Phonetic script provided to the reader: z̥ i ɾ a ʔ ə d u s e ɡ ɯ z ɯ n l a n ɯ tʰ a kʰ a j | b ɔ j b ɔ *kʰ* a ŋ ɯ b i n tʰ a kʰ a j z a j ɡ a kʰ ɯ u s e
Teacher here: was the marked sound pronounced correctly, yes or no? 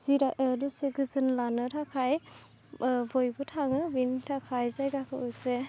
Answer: no